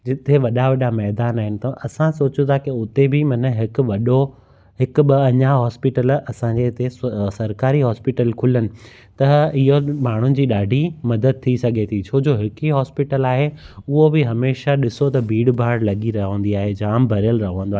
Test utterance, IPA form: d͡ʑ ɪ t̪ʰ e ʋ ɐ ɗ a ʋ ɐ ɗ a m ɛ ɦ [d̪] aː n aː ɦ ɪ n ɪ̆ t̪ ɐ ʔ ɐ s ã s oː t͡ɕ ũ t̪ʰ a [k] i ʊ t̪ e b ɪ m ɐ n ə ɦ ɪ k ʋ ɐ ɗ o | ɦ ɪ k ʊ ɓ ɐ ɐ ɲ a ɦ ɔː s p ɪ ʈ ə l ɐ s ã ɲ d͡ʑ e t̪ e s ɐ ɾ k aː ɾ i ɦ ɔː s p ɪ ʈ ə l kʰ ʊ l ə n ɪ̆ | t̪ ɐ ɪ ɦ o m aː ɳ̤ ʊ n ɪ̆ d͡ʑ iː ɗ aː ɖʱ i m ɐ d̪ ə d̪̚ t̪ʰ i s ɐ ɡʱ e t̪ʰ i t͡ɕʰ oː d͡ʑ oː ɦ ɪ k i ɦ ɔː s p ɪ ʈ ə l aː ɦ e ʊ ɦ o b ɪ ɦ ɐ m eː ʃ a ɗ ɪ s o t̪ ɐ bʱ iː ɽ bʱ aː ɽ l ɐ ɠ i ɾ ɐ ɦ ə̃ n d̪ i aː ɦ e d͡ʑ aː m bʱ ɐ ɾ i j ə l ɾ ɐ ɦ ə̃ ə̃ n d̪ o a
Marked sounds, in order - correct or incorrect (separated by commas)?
correct, correct